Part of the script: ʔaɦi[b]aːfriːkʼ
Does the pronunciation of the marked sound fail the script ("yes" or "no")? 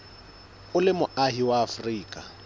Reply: yes